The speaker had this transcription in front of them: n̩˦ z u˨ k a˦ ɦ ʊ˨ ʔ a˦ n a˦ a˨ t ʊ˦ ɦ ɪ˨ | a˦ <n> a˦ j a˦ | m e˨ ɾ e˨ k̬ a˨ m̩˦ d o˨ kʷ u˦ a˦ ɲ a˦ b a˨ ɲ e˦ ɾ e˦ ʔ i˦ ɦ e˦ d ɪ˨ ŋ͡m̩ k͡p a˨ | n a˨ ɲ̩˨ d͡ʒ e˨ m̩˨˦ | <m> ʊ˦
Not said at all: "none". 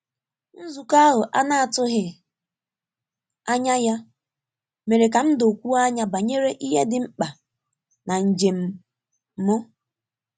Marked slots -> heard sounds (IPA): ɲ, m

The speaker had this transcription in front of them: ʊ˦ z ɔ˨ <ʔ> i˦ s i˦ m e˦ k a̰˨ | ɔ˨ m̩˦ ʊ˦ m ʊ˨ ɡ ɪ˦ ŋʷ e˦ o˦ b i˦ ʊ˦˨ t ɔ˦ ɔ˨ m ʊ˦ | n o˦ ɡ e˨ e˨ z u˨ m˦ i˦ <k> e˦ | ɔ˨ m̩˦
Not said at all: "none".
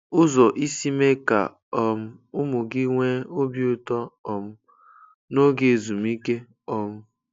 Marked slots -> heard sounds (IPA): ʔ, k

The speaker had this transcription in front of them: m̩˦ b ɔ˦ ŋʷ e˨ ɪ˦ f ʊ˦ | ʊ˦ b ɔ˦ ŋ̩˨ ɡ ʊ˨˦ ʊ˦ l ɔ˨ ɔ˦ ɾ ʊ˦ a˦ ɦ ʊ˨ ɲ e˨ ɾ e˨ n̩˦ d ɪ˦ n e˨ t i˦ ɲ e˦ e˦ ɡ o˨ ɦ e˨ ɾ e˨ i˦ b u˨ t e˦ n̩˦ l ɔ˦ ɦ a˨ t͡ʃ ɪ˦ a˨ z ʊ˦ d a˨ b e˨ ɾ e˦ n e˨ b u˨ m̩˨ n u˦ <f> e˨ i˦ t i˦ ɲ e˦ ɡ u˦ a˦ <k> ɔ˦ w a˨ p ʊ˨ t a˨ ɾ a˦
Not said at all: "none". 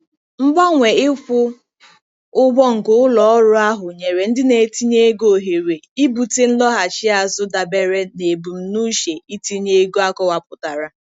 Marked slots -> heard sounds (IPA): ʃ, k

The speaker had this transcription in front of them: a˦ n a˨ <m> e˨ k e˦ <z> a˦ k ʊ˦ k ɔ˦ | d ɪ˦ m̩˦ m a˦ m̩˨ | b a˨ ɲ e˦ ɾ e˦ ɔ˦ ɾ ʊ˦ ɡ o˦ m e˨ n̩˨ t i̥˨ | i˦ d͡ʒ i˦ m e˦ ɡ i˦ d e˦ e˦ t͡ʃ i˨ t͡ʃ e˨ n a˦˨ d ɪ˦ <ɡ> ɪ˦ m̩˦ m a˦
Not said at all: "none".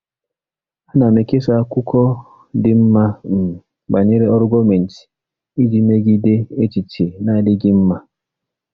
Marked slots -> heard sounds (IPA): m, s, ɡ

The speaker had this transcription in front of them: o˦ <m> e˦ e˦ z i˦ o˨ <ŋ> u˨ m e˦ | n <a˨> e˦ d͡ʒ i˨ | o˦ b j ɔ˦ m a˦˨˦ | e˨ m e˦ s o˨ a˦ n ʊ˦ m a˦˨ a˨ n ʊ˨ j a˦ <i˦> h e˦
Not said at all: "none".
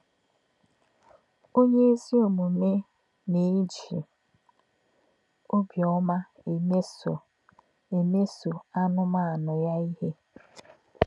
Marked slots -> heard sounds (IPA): ɲ, m, e˨, i˦

